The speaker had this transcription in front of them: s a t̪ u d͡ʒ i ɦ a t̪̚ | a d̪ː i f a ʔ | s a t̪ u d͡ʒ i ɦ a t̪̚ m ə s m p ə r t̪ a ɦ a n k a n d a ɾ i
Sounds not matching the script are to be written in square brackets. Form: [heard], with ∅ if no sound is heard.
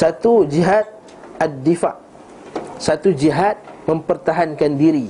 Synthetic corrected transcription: s a t̪ u d͡ʒ i ɦ a t̪̚ | a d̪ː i f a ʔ | s a t̪ u d͡ʒ i ɦ a t̪̚ m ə [∅] m p ə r t̪ a ɦ a n k a n d [i] ɾ i